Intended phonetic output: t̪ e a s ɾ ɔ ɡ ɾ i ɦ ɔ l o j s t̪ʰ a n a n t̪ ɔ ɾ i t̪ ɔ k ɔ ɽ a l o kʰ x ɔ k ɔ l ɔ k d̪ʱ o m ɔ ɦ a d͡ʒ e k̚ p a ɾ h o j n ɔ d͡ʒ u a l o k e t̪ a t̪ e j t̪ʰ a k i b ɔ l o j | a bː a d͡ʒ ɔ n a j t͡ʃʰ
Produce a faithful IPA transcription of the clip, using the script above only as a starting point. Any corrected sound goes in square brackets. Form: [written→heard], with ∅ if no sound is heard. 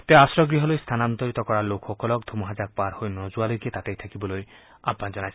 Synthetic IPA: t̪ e a s ɾ ɔ ɡ ɾ i ɦ ɔ l o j s t̪ʰ a n a n t̪ ɔ ɾ i t̪ ɔ k ɔ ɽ a l o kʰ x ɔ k ɔ l ɔ k d̪ʱ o m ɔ ɦ a d͡ʒ [e→a] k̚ p a ɾ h o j n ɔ d͡ʒ u a l o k e t̪ a t̪ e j t̪ʰ a k i b ɔ l o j | a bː a d͡ʒ ɔ n a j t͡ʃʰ